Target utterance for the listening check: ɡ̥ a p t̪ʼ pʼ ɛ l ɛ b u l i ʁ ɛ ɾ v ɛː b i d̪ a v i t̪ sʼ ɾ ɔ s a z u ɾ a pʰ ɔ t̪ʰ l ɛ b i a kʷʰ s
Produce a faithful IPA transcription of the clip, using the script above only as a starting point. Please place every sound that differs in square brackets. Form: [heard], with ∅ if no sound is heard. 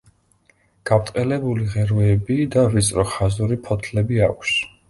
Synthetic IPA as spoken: ɡ̥ a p t̪ʼ [qʼ] ɛ l ɛ b u l i ʁ ɛ ɾ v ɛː b i d̪ a v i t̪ sʼ ɾ ɔ [χ] a z u ɾ [i] pʰ ɔ t̪ʰ l ɛ b i a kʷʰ s